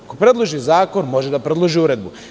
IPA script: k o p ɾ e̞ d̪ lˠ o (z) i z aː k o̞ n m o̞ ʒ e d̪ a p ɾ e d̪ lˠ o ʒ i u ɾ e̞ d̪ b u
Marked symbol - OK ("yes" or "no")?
no